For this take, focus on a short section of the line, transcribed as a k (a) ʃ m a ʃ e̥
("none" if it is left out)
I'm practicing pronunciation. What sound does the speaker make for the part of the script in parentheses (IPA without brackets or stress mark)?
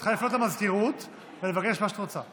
e